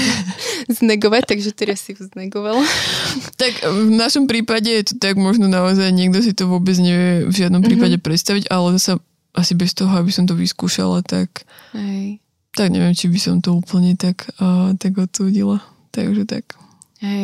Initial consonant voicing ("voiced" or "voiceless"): voiced